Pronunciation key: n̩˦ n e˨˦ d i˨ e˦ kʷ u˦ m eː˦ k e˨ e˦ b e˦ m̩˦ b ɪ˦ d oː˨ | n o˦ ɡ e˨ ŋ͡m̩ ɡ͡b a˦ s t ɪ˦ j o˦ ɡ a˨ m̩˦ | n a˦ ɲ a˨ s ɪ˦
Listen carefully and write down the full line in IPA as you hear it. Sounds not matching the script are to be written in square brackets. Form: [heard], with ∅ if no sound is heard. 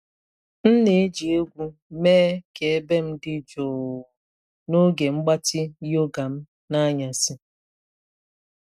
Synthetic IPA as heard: n̩˦ n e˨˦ [d͡ʒ] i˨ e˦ [ɡʷ] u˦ m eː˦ k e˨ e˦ b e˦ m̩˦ [d] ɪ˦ [d͡ʒ] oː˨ | n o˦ ɡ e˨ ŋ͡m̩ ɡ͡b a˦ [∅] t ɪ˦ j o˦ ɡ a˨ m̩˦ | n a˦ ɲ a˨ s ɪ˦